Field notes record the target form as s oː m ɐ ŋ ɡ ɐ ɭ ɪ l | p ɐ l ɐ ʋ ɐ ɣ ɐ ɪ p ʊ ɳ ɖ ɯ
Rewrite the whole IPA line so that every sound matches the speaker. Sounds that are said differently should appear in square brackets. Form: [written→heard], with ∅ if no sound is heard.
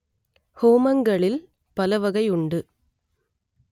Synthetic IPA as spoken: [s→h] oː m ɐ ŋ ɡ ɐ ɭ ɪ l | p ɐ l ɐ ʋ ɐ ɣ ɐ ɪ [p→∅] ʊ ɳ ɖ ɯ